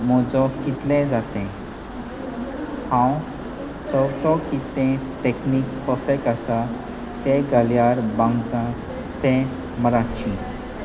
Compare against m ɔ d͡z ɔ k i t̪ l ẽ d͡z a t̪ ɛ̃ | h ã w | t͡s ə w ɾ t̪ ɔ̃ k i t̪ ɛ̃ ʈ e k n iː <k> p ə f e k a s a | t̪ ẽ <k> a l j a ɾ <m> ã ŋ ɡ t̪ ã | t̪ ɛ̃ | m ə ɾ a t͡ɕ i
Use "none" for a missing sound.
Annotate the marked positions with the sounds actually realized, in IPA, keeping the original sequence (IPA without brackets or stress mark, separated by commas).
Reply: k, ɡ, b